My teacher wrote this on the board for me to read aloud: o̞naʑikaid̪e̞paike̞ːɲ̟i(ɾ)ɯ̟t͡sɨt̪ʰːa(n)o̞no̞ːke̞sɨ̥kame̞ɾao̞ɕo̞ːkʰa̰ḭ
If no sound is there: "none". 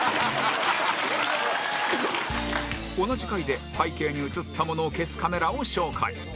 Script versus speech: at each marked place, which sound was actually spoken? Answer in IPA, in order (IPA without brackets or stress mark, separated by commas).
none, m